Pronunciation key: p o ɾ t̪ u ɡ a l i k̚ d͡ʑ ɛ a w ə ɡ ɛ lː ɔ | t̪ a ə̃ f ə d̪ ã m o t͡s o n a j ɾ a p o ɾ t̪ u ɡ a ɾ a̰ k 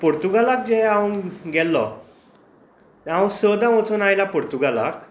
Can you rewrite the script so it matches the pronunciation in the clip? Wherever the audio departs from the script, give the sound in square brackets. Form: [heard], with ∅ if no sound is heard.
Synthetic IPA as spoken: p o ɾ t̪ u ɡ a l [a] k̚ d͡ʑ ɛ a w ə ɡ ɛ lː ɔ | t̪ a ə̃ [s] ə d̪ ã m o t͡s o n a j [l] a p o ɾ t̪ u ɡ a [l] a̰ k